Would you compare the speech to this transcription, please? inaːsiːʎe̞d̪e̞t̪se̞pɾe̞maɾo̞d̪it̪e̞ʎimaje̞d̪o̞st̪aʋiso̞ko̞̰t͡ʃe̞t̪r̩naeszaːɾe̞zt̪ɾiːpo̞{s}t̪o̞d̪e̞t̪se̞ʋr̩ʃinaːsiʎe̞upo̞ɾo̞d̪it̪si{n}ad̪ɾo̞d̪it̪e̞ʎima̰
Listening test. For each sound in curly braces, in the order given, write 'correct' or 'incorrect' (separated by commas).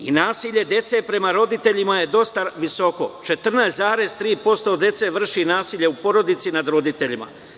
correct, correct